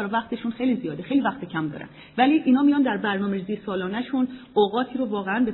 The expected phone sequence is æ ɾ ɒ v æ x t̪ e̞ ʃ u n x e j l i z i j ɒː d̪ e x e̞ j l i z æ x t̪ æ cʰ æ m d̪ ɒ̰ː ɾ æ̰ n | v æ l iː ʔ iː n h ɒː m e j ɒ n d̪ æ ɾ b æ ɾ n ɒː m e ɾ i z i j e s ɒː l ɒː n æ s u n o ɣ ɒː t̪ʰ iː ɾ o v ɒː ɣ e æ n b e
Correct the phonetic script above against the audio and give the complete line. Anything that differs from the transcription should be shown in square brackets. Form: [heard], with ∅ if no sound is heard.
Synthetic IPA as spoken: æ ɾ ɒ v æ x t̪ e̞ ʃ u n x e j l i z i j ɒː d̪ e x e̞ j l i [v] æ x t̪ [e] cʰ æ m d̪ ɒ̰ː ɾ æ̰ n | v æ l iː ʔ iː n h ɒː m [i] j ɒ n d̪ æ ɾ b æ ɾ n ɒː m e ɾ i z i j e s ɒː l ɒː n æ [ʃ] u n o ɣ ɒː t̪ʰ iː ɾ o v ɒː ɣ e æ n b e